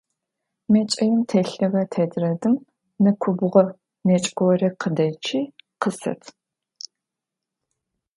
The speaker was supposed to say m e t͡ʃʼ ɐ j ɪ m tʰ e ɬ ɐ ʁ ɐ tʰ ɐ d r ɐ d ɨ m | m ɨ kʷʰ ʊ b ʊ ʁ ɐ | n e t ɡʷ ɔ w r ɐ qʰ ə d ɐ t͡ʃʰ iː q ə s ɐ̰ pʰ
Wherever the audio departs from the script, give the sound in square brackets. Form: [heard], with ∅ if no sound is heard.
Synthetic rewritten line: m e t͡ʃʼ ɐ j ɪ m tʰ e ɬ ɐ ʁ ɐ tʰ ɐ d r ɐ d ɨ m | [n] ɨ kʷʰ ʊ b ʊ ʁ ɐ | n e [t͡ʃʼ] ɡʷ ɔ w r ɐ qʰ ə d ɐ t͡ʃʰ iː q ə s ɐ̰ [tʰ]